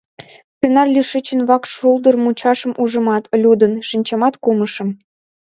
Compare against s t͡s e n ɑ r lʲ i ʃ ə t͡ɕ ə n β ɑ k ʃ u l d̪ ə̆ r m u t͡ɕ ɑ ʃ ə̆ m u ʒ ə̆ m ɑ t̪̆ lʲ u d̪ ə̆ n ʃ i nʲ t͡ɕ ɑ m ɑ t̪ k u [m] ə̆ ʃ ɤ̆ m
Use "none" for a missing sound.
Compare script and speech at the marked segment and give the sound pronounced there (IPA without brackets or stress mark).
m